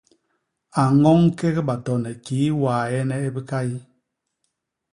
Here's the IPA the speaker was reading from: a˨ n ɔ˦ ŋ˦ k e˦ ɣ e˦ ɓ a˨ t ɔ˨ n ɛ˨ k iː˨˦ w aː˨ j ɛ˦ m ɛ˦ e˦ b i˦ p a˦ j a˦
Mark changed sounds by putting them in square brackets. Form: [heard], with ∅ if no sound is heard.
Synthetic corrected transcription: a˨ [ŋ] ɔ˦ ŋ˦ k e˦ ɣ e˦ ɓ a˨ t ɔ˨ n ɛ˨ k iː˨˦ w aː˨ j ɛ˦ [n] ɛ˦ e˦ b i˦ [k] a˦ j [i˦]